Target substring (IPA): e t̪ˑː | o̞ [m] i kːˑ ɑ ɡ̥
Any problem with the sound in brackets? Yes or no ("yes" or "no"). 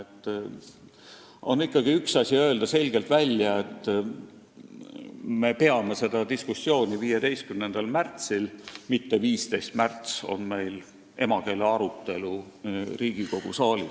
yes